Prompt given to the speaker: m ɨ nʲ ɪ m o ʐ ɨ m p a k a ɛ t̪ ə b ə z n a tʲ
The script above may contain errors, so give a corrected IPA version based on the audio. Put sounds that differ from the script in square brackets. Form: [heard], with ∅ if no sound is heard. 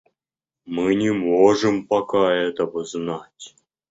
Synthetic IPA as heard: m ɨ nʲ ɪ m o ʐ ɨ m p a k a ɛ t̪ ə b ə z n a tʲ

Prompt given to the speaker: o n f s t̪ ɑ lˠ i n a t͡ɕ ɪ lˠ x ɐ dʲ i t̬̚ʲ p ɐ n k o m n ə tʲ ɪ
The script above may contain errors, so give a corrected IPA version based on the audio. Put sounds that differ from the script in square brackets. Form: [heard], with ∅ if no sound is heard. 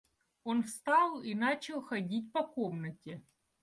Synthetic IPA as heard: o n f s t̪ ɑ lˠ i n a t͡ɕ ɪ lˠ x ɐ dʲ i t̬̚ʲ p ɐ [∅] k o m n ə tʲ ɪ

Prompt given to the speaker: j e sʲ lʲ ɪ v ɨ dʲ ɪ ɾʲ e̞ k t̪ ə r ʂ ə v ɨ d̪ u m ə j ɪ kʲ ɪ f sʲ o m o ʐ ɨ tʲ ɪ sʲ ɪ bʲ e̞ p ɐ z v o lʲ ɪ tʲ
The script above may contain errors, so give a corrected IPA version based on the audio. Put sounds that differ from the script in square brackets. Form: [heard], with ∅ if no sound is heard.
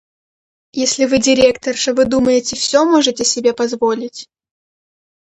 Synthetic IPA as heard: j e sʲ lʲ ɪ v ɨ dʲ ɪ ɾʲ e̞ k t̪ ə r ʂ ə v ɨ d̪ u m ə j ɪ [tʲ] ɪ f sʲ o m o ʐ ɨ tʲ ɪ sʲ ɪ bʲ e̞ p ɐ z v o lʲ ɪ tʲ

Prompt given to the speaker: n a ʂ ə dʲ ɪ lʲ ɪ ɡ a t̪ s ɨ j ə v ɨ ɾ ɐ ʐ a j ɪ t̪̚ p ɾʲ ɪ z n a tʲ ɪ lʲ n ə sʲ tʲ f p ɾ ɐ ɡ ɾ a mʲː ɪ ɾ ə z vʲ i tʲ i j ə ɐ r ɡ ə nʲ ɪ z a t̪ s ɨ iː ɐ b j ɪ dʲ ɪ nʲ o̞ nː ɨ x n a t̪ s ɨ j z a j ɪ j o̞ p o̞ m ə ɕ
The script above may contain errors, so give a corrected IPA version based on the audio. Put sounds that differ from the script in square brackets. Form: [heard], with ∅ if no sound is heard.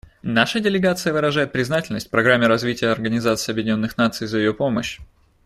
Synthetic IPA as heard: n a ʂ ə dʲ ɪ lʲ ɪ ɡ a t̪ s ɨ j ə v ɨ ɾ ɐ ʐ a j ɪ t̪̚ p ɾʲ ɪ z n a tʲ ɪ lʲ n ə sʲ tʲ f p ɾ ɐ ɡ ɾ a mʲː ɪ ɾ [ɐ] z vʲ i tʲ [ɪ] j ə ɐ r ɡ ə nʲ ɪ z a t̪ s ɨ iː ɐ b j ɪ dʲ ɪ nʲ o̞ nː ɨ x n a t̪ s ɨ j z [ə] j ɪ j o̞ p o̞ m ə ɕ

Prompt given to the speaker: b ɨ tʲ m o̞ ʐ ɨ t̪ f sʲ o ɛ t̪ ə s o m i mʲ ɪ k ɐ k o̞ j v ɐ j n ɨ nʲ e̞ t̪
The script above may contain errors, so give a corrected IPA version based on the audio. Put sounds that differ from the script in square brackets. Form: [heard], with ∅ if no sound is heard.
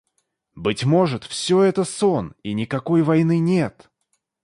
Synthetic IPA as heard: b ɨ tʲ m o̞ ʐ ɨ t̪ f sʲ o ɛ t̪ ə s o [n] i [nʲ] ɪ k ɐ k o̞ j v ɐ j n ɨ nʲ e̞ t̪

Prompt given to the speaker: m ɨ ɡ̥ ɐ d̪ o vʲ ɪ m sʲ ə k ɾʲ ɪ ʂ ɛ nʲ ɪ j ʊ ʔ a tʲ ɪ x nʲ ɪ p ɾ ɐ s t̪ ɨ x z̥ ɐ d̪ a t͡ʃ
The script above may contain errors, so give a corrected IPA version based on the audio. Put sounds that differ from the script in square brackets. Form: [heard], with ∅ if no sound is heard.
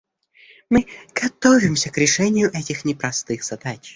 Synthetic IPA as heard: m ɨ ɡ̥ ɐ [t̪] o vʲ ɪ m sʲ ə k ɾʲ ɪ ʂ ɛ nʲ ɪ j ʊ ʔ [ɛ] tʲ ɪ x nʲ ɪ p ɾ ɐ s t̪ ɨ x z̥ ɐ d̪ a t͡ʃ

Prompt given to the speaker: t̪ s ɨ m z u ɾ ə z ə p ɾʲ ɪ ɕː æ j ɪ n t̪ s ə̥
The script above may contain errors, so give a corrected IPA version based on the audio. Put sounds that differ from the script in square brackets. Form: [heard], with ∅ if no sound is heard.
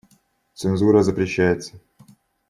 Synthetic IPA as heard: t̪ s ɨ [n] z u ɾ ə z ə p ɾʲ ɪ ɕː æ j ɪ [∅] t̪ s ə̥

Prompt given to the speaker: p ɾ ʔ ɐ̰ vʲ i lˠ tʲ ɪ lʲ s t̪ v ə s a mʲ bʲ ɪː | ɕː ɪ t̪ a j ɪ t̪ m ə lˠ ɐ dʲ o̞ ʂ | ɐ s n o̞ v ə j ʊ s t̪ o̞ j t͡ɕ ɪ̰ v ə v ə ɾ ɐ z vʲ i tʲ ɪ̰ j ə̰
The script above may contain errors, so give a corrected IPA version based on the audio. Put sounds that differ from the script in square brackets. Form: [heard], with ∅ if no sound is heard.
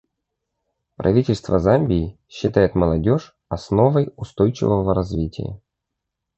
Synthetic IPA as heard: p ɾ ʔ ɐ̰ vʲ i [∅] tʲ ɪ lʲ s t̪ v ə [z] a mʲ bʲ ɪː | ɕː ɪ t̪ a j ɪ t̪ m ə lˠ ɐ dʲ o̞ ʂ | ɐ s n o̞ v ə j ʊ s t̪ o̞ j t͡ɕ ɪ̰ v ə v ə ɾ ɐ z vʲ i tʲ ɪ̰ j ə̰

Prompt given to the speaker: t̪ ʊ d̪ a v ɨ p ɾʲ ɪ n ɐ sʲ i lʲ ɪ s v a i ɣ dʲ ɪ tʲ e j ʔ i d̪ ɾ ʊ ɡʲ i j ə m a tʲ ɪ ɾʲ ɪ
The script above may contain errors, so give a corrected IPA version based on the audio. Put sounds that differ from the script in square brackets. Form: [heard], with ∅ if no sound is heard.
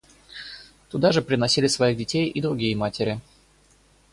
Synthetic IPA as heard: t̪ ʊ d̪ a [ʐ] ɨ p ɾʲ ɪ n ɐ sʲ i lʲ ɪ s v [ɐ] i ɣ dʲ ɪ tʲ e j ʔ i d̪ ɾ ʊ ɡʲ i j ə m a tʲ ɪ ɾʲ ɪ

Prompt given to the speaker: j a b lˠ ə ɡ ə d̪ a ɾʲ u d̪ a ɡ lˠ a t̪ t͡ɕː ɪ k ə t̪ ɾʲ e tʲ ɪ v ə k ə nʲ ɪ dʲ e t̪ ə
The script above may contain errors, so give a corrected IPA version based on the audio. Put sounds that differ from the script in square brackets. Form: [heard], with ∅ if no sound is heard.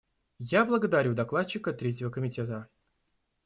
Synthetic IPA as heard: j a b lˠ ə ɡ ə d̪ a ɾʲ u d̪ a [k] lˠ a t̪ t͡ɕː ɪ k ə t̪ ɾʲ e tʲ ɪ v ə k ə [mʲ] ɪ [tʲ] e t̪ ə

